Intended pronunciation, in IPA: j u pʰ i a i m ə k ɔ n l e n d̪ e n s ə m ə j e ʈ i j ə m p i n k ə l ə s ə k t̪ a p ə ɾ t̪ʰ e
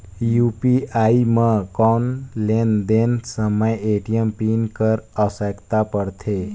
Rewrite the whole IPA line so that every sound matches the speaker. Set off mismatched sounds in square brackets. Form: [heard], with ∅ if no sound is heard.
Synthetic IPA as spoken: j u [p] i a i m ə k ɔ n l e n d̪ e n s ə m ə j e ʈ i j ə m p i n k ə [ɾ] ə s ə k t̪ a p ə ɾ t̪ʰ e